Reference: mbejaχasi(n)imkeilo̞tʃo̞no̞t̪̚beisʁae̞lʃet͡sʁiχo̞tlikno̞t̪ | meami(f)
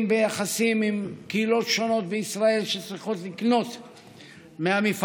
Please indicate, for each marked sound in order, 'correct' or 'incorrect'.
incorrect: m, correct

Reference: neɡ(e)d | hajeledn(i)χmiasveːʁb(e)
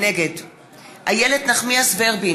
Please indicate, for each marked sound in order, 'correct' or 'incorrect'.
correct, incorrect: a, incorrect: i

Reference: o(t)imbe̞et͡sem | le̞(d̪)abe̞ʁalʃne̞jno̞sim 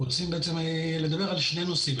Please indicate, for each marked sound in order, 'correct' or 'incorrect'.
incorrect: t͡s, correct

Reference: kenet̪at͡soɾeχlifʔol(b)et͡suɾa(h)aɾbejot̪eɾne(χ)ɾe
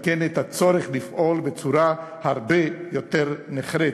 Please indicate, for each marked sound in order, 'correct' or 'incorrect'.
correct, correct, correct

